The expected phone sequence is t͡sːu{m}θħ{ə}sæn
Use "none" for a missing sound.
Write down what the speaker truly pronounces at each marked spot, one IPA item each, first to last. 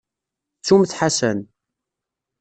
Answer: m, a

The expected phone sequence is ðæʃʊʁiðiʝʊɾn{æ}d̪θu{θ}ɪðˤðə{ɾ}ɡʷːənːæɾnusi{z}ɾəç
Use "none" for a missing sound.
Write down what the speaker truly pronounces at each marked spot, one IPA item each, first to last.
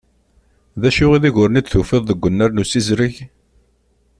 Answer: i, f, none, z

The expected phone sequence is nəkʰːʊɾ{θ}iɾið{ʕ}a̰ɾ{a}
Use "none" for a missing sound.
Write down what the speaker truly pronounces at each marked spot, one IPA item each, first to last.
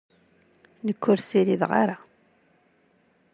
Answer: s, ʁ, a

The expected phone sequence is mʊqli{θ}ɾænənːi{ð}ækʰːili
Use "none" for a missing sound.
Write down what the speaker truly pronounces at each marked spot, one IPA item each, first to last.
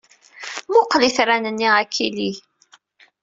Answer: θ, ʁ

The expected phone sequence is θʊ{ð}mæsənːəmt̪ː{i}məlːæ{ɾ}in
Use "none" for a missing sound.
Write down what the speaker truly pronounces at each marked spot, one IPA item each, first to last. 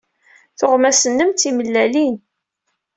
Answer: ʁ, i, l

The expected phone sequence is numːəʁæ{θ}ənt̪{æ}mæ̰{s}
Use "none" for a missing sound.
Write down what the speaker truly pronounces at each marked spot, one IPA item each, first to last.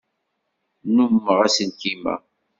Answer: s, i, none

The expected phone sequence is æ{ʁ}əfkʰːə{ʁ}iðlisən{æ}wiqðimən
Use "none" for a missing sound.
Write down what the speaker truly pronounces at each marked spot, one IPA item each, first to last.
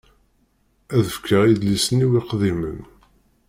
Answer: ð, ʁ, i

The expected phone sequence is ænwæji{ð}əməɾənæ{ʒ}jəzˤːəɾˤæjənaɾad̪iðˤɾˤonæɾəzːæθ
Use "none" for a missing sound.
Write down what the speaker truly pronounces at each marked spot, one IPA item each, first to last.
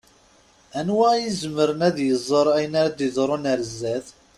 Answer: z, ð

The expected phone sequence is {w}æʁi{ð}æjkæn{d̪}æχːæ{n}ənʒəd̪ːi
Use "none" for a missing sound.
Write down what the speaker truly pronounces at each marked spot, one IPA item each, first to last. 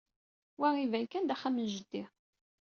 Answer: w, v, d̪, m

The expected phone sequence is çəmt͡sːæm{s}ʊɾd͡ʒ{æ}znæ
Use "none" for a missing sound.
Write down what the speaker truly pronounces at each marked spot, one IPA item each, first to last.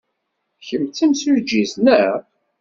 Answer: s, i

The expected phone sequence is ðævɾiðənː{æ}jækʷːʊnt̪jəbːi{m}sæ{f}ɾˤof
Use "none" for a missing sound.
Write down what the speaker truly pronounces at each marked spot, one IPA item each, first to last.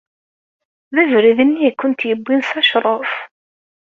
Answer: i, n, ʃ

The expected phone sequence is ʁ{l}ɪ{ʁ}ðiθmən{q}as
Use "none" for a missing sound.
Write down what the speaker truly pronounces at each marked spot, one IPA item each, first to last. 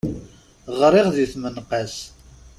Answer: ɾ, ʁ, q

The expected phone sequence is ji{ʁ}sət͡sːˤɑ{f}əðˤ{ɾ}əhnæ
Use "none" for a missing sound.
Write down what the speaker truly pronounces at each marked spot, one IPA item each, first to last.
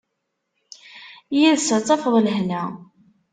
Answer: ð, f, l

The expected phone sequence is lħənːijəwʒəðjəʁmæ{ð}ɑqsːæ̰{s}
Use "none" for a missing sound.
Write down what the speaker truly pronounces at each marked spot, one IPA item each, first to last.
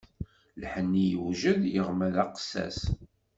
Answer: ð, s

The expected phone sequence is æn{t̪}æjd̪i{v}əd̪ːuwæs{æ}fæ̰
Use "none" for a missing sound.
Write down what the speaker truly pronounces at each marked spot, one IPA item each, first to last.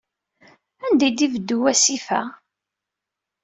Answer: d̪, v, i

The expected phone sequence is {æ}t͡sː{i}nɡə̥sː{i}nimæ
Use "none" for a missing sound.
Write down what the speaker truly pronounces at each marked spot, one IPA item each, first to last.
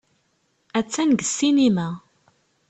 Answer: æ, æ, i

